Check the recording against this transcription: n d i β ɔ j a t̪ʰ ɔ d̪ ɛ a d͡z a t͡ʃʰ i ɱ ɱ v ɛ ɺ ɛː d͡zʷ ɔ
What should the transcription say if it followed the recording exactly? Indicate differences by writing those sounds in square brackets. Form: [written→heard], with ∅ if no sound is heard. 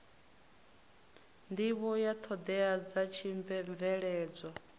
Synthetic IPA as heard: n d i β ɔ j a t̪ʰ ɔ d̪ ɛ a d͡z a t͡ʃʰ i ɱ ɱ v ɛ ɺ ɛː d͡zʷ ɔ